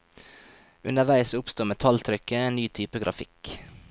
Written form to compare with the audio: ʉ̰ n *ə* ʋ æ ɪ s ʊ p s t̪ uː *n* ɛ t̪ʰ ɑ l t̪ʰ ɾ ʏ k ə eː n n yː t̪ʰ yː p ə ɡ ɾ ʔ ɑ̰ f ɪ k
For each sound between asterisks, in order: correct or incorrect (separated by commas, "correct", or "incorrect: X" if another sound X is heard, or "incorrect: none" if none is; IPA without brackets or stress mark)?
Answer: correct, incorrect: m